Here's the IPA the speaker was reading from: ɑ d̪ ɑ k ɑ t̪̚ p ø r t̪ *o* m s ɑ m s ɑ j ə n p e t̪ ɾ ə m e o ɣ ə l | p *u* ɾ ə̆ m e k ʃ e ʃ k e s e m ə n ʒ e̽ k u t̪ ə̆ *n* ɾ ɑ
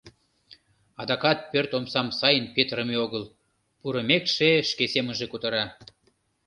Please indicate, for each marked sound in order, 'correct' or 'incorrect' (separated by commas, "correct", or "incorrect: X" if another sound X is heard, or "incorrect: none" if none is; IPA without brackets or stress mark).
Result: correct, correct, incorrect: none